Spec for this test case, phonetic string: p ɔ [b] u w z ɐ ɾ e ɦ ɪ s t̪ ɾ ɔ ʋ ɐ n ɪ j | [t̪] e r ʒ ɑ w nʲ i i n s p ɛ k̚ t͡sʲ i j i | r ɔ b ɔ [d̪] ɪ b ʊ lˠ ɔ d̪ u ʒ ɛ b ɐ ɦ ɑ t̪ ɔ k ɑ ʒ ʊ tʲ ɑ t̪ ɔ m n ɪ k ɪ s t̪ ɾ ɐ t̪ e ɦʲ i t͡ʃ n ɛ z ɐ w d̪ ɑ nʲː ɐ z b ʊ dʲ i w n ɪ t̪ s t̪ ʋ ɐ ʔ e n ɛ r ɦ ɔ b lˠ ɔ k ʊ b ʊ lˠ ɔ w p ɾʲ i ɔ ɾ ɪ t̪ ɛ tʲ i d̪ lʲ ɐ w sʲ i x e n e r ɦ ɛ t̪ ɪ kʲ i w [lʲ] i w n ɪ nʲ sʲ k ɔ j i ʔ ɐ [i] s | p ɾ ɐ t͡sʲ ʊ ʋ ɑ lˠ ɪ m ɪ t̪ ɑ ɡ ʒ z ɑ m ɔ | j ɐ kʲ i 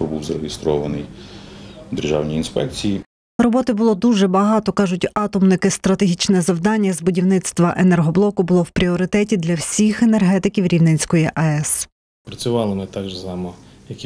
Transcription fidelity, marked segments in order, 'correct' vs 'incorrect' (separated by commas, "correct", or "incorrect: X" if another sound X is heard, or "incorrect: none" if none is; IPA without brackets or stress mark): correct, incorrect: d̪, incorrect: t̪, incorrect: ɾʲ, incorrect: ɛ